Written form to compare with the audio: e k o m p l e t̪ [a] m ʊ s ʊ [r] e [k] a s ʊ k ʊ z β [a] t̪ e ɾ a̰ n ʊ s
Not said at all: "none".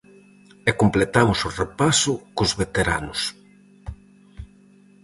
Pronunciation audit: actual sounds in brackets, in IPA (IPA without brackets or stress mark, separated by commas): a, r, p, e